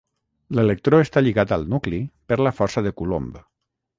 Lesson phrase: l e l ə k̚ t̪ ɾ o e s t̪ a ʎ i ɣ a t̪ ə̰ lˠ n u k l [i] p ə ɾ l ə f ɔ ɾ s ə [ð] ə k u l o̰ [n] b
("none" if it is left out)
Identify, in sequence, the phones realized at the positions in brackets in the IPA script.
i, ð, m

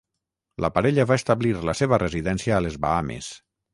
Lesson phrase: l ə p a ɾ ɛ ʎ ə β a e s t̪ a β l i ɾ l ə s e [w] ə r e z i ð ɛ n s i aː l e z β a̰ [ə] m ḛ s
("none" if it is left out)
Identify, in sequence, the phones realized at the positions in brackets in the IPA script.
β, a

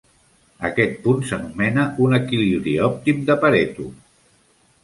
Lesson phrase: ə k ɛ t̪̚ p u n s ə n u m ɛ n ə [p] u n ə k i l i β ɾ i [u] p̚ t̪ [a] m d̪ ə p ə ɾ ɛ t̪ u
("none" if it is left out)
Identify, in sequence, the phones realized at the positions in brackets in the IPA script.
none, ɔ, i

